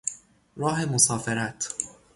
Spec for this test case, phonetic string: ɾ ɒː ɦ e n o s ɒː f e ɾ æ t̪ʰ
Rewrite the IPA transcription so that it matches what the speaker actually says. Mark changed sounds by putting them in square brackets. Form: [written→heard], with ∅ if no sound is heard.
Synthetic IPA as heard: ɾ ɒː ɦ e [n→m] o s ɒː f e ɾ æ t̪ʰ